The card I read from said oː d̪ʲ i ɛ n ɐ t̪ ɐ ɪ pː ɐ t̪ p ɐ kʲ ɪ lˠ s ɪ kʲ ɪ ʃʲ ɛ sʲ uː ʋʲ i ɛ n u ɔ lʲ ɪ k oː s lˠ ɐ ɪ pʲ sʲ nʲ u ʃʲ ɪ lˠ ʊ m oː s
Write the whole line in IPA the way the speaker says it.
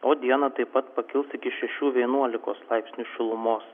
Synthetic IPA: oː d̪ʲ i ɛ n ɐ t̪ ɐ ɪ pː ɐ t̪ p ɐ kʲ ɪ lˠ s ɪ kʲ ɪ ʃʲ ɛ ʃʲ uː ʋʲ i ɛ n u ɔ lʲ ɪ k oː s lˠ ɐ ɪ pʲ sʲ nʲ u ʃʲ ɪ lˠ ʊ m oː s